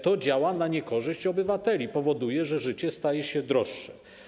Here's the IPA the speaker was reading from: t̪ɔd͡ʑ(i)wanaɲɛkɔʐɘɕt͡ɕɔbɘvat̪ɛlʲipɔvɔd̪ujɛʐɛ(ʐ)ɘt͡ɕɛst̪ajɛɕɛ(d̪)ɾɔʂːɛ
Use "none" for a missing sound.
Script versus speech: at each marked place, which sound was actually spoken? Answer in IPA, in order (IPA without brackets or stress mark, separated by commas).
a, ʐ, d̪